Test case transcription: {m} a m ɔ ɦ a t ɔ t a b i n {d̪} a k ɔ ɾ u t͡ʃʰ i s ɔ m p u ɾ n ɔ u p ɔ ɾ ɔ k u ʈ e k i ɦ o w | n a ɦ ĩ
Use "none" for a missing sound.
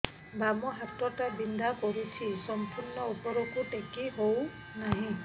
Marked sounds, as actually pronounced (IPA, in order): b, d̪

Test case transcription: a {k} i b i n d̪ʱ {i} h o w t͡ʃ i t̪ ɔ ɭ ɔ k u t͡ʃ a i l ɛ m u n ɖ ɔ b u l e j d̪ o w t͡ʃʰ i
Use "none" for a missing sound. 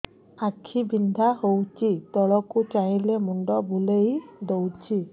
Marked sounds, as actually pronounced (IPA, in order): kʰ, a

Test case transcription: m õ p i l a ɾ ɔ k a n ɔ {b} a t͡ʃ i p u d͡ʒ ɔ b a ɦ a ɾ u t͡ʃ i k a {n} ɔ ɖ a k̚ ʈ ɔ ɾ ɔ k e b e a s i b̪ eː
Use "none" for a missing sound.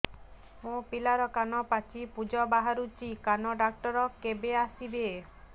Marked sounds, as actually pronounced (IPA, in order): p, n

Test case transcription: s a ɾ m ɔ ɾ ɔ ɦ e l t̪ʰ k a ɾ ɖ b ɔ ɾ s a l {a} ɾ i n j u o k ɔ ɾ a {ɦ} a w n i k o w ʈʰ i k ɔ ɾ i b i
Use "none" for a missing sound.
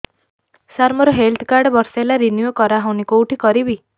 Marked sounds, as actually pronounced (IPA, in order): a, ɦ

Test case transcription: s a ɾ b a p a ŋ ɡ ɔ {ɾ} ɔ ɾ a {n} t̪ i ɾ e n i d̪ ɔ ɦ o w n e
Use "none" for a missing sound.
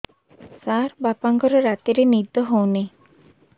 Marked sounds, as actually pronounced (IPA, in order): ɾ, none

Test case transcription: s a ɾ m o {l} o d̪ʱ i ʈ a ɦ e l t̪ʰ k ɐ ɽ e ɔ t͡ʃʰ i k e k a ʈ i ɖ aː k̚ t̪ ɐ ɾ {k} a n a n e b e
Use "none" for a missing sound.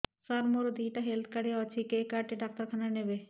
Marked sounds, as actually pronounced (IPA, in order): ɾ, kʰ

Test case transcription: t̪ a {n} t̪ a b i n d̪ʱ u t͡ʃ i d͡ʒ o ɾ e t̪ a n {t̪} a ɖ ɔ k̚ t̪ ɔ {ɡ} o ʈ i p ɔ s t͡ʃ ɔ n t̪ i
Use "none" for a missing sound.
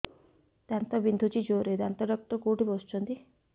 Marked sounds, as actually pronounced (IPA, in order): n, t̪, k

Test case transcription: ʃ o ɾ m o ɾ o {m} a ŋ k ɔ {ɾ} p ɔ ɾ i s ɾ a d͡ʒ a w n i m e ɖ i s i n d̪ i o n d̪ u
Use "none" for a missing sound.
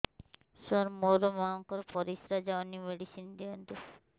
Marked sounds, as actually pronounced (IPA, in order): m, ɾ

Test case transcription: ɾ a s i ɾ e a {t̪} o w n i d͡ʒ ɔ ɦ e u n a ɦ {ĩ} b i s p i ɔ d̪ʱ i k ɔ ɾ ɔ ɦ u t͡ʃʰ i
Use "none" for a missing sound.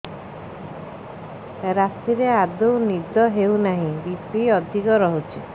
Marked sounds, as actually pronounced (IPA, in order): d̪, ĩ

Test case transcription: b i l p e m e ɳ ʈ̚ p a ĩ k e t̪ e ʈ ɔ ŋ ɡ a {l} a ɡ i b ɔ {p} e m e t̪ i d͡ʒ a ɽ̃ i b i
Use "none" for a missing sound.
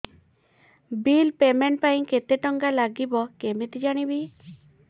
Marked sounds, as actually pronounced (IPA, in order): l, k

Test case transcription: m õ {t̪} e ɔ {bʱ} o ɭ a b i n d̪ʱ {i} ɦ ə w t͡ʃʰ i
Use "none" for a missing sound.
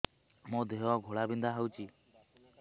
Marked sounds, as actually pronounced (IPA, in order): d̪, ɡʱ, a

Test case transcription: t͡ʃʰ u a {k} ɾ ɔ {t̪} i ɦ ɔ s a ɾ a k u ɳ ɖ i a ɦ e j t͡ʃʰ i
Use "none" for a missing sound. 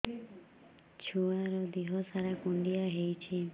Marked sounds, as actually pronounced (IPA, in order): none, d̪

